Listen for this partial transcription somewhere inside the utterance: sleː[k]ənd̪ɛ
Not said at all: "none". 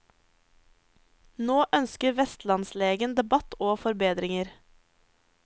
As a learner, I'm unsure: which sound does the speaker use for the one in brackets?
ɡ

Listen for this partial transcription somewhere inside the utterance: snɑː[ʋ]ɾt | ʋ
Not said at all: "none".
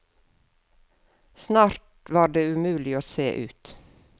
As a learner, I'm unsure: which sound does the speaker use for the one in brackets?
none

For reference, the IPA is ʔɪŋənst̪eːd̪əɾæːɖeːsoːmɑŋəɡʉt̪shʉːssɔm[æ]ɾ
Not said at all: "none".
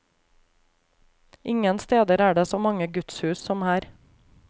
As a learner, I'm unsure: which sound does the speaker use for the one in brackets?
æː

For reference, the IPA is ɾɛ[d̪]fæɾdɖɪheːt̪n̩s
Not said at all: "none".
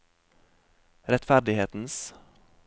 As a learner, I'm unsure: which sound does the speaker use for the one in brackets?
t̪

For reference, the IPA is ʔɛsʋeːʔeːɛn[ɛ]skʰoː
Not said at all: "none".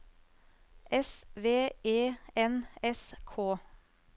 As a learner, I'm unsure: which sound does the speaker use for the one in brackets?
ɛ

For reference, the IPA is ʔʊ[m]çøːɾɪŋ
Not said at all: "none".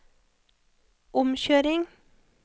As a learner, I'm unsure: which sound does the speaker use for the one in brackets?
m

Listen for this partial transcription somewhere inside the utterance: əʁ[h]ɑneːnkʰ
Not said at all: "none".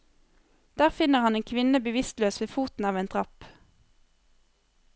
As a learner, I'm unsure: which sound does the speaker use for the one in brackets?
h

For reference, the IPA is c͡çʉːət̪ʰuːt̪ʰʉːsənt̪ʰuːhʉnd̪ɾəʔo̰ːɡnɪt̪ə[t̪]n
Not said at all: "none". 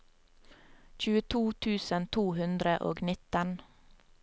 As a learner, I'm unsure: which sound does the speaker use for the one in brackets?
none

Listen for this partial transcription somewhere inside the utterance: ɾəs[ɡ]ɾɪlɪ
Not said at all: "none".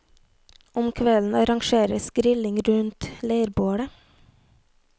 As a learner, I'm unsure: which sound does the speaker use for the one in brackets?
ɡ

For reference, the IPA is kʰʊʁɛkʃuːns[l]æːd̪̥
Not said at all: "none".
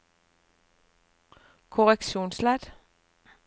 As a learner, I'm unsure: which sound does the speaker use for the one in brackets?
l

